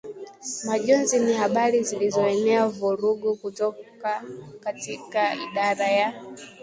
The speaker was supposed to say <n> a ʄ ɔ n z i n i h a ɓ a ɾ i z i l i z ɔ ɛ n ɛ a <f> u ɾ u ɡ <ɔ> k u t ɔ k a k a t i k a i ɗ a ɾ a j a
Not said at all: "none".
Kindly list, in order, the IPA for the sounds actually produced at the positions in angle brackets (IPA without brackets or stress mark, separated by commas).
m, v, u